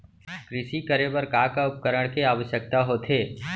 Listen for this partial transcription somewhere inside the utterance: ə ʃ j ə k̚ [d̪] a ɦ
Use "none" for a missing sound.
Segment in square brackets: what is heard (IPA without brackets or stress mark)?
t̪